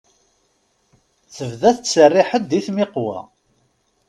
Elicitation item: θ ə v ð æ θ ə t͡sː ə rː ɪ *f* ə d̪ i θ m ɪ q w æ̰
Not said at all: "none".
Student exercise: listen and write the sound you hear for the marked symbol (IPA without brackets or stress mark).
ħ